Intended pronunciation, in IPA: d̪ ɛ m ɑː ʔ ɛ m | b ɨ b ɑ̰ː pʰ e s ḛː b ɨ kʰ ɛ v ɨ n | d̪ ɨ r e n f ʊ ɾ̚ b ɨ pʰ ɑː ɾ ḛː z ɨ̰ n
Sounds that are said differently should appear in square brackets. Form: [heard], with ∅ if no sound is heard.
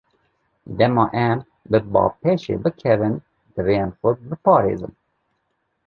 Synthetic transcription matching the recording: d̪ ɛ m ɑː ʔ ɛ m | b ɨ b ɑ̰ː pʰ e [ʃ] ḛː b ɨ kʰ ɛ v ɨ n | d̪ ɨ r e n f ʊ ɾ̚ b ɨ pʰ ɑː ɾ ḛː z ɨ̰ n